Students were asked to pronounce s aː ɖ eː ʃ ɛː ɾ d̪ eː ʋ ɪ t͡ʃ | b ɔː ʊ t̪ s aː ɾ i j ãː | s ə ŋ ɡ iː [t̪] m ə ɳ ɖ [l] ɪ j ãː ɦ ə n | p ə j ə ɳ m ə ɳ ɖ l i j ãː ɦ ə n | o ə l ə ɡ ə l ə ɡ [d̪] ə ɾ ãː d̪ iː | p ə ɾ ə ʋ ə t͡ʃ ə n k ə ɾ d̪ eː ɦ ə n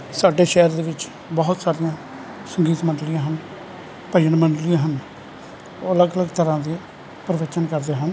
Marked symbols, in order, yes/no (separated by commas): yes, yes, no